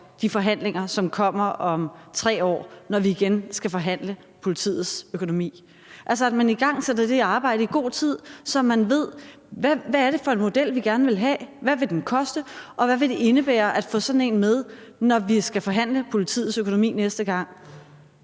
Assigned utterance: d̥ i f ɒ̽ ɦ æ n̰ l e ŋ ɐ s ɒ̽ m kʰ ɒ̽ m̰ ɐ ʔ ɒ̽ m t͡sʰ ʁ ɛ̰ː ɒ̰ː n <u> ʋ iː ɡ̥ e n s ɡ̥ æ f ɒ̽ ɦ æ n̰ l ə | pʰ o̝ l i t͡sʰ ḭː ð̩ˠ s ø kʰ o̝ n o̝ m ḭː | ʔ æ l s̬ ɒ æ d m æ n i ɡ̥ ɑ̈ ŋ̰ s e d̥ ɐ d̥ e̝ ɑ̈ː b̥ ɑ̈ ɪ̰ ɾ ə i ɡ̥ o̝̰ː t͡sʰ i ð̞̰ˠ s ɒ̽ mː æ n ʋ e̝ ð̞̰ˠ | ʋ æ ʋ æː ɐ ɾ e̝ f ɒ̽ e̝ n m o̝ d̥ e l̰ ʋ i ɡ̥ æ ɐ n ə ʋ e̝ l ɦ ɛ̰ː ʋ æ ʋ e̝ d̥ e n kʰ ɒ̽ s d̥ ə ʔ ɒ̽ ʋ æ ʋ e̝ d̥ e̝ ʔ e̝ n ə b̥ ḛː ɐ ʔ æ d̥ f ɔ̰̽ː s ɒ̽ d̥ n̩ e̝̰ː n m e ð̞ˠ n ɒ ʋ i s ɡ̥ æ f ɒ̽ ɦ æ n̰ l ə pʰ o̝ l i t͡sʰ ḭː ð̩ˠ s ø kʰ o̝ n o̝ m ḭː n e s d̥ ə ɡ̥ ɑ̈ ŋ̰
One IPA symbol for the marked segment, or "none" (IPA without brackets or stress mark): ɒ